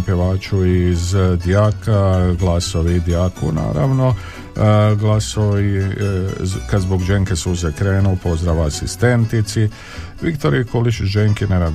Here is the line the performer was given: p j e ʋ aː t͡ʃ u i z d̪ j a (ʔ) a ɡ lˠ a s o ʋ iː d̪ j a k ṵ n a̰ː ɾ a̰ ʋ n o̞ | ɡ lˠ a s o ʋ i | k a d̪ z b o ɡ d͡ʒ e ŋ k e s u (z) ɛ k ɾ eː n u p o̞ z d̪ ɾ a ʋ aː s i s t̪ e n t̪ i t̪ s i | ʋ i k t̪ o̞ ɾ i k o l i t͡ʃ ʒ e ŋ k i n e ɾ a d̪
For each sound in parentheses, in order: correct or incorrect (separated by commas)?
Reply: incorrect, correct